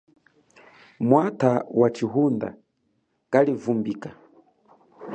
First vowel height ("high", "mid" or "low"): low